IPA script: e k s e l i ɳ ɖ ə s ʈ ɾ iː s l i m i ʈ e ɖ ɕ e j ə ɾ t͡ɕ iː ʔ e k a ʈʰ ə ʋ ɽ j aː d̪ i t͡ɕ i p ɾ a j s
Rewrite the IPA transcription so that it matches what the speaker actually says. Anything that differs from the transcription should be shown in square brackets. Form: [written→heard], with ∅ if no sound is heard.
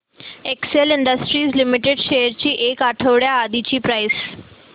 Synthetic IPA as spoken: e k s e l i ɳ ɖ ə s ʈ ɾ iː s l i m i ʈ e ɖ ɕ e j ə ɾ t͡ɕ iː ʔ e k a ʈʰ ə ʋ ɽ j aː d̪ i t͡ɕ [i→iː] p ɾ a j s